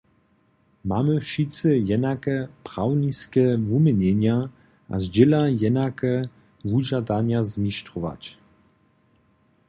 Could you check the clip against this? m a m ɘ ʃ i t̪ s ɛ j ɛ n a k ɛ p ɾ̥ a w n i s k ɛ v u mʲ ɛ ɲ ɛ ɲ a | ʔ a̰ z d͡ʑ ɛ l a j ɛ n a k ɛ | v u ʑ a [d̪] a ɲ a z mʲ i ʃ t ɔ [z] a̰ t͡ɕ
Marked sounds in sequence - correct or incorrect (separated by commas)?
correct, incorrect